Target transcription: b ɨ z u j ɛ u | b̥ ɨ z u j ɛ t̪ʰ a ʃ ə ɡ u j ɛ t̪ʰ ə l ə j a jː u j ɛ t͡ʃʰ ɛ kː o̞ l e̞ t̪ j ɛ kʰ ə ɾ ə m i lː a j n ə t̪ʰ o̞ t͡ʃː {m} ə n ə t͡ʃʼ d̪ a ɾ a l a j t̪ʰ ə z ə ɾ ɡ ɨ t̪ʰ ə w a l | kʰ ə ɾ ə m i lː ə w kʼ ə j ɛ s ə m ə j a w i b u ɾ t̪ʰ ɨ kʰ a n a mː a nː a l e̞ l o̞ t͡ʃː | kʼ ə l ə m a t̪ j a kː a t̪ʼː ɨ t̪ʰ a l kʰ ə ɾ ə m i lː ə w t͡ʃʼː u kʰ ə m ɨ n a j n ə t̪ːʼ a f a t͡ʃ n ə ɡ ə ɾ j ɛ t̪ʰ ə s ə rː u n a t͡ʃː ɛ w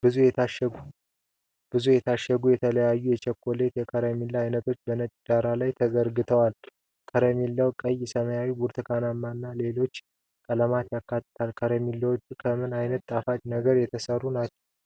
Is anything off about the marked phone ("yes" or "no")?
yes